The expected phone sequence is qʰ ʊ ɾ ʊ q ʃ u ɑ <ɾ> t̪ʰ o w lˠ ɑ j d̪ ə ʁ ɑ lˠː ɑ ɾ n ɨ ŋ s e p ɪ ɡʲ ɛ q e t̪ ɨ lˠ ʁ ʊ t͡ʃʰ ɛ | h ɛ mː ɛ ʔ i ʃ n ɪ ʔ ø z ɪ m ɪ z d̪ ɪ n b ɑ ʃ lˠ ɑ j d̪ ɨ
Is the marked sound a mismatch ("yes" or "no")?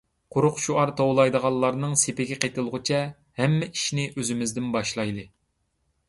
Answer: no